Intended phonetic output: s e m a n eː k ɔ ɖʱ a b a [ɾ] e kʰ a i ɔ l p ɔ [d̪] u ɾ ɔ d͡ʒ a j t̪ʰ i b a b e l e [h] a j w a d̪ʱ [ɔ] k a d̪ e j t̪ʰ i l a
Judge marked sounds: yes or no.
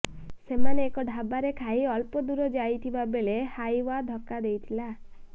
yes, yes, yes, yes

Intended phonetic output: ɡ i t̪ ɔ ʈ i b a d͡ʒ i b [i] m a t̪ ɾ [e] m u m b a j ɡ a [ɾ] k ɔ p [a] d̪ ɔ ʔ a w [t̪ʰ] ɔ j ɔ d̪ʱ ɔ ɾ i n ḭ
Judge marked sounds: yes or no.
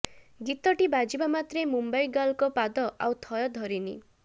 no, yes, no, yes, yes

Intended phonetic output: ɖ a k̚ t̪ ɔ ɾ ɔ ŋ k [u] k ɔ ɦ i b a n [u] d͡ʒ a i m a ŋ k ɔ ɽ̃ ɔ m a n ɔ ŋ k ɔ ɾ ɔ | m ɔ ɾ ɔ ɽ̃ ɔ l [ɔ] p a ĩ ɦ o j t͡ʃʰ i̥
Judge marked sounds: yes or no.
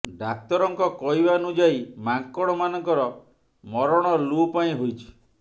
no, yes, no

